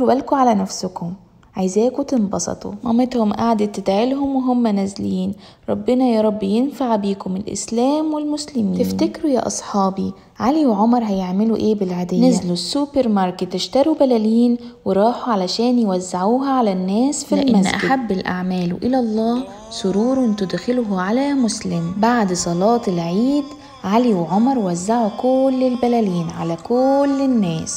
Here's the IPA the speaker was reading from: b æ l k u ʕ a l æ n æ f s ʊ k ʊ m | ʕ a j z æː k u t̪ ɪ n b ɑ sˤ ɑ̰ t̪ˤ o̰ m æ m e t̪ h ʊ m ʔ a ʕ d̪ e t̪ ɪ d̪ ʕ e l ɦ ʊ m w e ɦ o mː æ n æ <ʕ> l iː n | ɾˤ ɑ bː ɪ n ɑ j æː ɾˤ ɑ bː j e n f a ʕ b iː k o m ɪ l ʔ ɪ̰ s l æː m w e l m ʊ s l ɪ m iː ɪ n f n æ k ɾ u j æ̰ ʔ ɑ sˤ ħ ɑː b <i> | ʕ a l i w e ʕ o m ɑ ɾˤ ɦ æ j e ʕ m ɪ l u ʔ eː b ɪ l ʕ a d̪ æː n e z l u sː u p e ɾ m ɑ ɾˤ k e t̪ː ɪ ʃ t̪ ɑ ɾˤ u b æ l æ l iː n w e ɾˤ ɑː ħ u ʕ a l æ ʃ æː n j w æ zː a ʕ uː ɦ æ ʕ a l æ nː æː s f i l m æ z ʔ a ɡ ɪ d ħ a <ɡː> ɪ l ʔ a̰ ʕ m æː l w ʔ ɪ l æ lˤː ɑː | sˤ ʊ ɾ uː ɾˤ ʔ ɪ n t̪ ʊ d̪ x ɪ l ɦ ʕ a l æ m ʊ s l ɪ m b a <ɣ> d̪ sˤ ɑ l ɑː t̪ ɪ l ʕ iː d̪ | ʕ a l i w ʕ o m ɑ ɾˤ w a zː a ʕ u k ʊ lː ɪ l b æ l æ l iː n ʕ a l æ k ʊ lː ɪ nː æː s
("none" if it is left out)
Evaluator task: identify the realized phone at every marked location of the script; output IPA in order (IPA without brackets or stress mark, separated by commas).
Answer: z, i, bː, ʕ